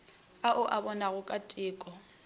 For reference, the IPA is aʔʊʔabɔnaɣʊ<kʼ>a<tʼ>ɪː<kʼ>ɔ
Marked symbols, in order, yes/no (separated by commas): yes, yes, yes